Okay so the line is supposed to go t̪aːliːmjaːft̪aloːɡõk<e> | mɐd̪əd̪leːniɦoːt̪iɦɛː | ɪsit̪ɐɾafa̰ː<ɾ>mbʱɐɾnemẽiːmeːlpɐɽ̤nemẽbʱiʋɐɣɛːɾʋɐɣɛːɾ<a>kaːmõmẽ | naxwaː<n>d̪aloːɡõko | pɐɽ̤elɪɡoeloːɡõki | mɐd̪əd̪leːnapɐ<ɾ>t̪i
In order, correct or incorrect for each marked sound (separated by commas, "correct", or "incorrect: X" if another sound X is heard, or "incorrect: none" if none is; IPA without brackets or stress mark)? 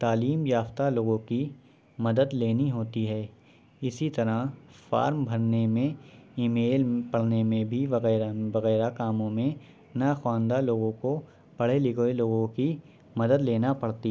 incorrect: i, correct, correct, correct, incorrect: ɽ